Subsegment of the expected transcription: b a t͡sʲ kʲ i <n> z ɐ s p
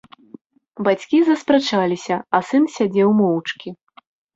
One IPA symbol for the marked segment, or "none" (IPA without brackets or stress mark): none